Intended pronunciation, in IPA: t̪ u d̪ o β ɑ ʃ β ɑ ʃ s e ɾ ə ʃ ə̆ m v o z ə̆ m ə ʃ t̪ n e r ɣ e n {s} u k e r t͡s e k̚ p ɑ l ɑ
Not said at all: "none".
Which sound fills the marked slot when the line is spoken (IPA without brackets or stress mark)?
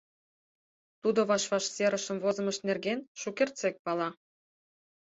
ʃ